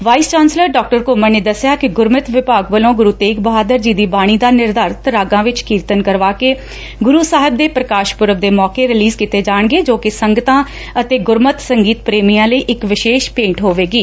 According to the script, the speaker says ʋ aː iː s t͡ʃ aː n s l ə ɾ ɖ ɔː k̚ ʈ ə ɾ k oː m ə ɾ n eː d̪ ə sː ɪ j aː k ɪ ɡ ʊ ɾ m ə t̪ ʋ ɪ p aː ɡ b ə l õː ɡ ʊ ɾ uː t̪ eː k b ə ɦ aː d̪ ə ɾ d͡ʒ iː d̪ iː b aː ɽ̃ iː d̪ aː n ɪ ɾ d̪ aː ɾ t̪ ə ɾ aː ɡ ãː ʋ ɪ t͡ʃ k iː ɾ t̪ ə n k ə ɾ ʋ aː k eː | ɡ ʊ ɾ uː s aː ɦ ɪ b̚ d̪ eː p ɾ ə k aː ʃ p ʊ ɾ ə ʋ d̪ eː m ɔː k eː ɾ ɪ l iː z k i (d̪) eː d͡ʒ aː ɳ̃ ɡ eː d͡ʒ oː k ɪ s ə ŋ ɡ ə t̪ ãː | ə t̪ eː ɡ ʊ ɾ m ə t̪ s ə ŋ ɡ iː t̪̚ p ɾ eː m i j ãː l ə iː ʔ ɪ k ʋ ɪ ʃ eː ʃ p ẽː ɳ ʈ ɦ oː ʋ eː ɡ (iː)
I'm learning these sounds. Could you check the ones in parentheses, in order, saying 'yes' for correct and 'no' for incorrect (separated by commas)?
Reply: no, yes